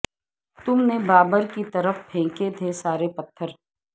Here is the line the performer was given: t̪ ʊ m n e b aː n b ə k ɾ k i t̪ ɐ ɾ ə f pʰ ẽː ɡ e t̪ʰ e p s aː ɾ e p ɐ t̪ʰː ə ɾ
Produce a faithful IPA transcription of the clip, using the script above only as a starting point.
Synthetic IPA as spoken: t̪ ʊ m n e b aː b ə ɾ k i t̪ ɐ ɾ ə f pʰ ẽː k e t̪ʰ e s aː ɾ e p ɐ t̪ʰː ə ɾ